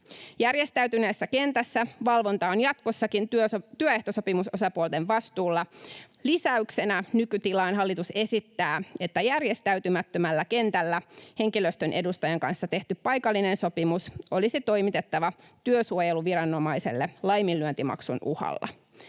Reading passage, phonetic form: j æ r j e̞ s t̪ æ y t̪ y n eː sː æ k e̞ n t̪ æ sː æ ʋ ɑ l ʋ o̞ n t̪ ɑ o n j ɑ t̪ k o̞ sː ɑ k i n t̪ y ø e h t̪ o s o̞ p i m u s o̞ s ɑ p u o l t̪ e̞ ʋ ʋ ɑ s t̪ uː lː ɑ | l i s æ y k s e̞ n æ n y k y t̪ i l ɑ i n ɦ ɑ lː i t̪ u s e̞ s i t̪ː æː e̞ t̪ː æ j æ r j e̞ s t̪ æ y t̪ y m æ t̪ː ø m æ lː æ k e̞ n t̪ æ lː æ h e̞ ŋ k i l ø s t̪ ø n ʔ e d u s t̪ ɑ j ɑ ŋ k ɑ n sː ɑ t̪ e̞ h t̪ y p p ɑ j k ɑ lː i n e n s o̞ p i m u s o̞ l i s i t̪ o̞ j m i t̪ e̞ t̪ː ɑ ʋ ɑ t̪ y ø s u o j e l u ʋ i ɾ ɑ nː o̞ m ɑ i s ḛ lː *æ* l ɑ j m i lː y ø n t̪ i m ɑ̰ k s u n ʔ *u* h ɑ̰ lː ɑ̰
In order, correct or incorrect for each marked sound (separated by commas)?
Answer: incorrect, correct